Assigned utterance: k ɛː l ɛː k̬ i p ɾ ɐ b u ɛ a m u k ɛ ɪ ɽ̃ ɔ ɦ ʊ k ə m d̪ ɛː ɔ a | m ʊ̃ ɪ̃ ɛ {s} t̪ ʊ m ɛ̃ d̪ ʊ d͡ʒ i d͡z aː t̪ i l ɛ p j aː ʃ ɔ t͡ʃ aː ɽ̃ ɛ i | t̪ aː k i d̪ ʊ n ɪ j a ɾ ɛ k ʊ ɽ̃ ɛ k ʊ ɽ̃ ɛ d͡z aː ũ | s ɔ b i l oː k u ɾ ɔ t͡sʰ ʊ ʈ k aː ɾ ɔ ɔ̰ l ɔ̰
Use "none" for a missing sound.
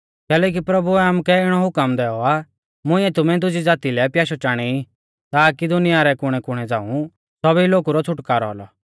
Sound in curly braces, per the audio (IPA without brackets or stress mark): none